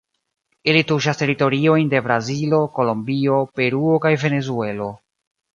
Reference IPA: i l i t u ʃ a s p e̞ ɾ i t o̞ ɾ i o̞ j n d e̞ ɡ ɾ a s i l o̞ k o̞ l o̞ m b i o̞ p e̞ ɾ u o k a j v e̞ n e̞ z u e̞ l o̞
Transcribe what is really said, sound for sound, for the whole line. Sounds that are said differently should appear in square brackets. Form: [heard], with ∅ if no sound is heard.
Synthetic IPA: i l i t u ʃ a s [t] e̞ ɾ i t o̞ ɾ i o̞ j n d e̞ [b] ɾ a [z] i l o̞ k o̞ l o̞ m b i o̞ p e̞ ɾ u o k a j v e̞ n e̞ z u e̞ l o̞